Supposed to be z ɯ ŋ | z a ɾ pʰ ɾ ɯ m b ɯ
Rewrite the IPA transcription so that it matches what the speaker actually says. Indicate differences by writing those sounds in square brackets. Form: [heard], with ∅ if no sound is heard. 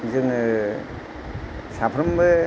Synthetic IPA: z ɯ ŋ | [s] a [∅] pʰ ɾ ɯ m b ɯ